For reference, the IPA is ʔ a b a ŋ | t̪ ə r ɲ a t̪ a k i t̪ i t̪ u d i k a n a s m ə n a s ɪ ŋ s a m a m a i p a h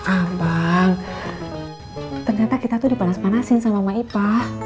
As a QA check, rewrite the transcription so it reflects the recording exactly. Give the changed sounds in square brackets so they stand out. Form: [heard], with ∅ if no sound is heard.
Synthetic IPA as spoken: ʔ a b a ŋ | t̪ ə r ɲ a t̪ a k i t̪ [a] t̪ u d i [p] a n a s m [a] n a s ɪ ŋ s a m a m a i p a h